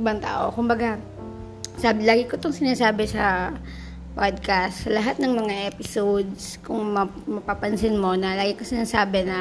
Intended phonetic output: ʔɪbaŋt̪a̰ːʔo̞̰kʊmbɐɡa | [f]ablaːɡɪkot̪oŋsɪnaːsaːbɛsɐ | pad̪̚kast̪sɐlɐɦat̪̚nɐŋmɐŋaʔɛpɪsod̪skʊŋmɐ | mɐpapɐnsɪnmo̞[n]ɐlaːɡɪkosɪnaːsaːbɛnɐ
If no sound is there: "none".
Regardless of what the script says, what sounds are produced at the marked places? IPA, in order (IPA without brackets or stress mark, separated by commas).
s, n